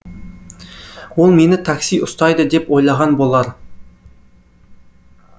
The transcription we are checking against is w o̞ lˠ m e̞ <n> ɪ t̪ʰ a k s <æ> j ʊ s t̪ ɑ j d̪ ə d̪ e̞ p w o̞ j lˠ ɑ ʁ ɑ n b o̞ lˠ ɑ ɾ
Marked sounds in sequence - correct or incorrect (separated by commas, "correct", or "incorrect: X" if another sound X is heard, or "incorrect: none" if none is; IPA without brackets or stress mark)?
correct, incorrect: i